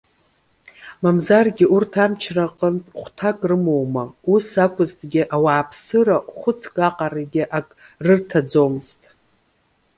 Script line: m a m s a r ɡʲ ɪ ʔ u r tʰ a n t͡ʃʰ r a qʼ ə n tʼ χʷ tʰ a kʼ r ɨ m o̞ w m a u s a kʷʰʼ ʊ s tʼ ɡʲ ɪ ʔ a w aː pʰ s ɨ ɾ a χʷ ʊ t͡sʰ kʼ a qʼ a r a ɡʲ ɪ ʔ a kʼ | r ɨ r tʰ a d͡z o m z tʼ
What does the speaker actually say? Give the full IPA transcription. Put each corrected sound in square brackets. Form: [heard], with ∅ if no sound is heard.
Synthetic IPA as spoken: m a m [z] a r ɡʲ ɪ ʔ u r tʰ a [m] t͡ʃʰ r a qʼ ə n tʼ χʷ tʰ a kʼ r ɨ m o̞ w m a u s a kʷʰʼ ʊ [z] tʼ ɡʲ ɪ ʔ a w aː pʰ s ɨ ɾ a χʷ ʊ t͡sʰ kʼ a qʼ a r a ɡʲ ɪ ʔ a kʼ | r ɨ r tʰ a d͡z o m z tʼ